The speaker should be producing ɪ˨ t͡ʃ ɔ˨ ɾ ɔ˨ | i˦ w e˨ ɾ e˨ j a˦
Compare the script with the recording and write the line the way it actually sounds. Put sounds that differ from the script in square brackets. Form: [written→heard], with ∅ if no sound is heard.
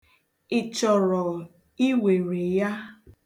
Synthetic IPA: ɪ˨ t͡ʃ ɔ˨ ɾ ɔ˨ | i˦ w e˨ ɾ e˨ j a˦